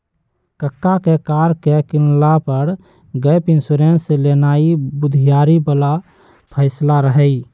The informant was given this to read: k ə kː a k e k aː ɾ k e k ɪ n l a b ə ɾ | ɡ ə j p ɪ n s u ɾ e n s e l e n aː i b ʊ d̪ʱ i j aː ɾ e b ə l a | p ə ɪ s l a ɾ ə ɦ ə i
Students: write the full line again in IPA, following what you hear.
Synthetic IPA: k ə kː a k e k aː ɾ k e k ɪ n l a p ə ɾ | ɡ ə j p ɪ n s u ɾ e n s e l e n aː i b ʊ d̪ʱ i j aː ɾ i b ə l a | pʰ ə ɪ s l a ɾ ə ɦ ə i